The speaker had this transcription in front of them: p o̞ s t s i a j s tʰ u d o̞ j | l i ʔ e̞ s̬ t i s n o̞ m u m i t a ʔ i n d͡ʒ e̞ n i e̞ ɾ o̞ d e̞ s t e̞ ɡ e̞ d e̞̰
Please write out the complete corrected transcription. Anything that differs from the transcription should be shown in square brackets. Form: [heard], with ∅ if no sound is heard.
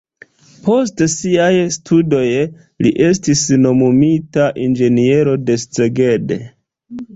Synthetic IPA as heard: p o̞ s t s i a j s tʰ u d o̞ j | l i ʔ e̞ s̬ t i s n o̞ m u m i t a ʔ i n d͡ʒ e̞ n i e̞ ɾ o̞ d e̞ s [t͡s] e̞ ɡ e̞ d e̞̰

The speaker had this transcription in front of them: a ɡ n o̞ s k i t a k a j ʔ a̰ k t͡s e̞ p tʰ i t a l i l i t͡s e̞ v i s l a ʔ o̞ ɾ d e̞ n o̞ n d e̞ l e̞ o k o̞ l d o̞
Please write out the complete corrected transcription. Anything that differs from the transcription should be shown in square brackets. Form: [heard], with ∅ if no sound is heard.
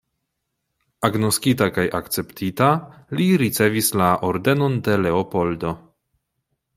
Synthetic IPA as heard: a ɡ n o̞ s k i t a k a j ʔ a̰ k t͡s e̞ p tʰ i t a l i [ɾ] i t͡s e̞ v i s l a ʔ o̞ ɾ d e̞ n o̞ n d e̞ l e̞ o [p] o̞ l d o̞

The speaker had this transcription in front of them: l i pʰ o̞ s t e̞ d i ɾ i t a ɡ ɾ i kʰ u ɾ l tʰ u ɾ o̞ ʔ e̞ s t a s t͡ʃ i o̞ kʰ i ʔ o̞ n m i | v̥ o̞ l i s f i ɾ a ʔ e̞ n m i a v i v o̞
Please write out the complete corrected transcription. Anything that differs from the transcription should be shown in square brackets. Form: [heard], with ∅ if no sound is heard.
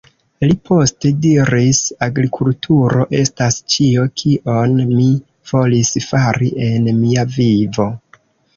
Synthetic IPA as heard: l i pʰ o̞ s t e̞ d i ɾ i [s] a ɡ ɾ i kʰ u [∅] l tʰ u ɾ o̞ ʔ e̞ s t a s t͡ʃ i o̞ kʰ i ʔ o̞ n m i | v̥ o̞ l i s f [a] ɾ [i] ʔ e̞ n m i a v i v o̞

